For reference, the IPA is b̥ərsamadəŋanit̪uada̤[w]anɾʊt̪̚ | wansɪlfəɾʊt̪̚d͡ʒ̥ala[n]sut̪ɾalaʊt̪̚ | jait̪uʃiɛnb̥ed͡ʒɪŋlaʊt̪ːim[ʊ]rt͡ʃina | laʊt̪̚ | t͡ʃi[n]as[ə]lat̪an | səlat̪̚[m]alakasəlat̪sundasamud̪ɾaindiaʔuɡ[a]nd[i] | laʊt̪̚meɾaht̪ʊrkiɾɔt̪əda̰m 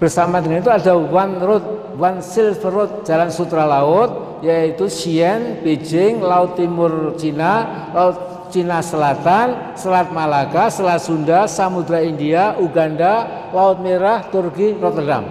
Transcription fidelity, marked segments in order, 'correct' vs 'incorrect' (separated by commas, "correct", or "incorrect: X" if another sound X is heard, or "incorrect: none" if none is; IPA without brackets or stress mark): correct, correct, correct, correct, correct, correct, correct, incorrect: a